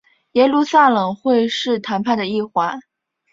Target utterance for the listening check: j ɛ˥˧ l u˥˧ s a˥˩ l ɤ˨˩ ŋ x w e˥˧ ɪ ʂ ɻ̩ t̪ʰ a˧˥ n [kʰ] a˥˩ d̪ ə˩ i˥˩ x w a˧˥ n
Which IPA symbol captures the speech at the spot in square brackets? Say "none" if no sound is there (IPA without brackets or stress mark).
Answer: pʰ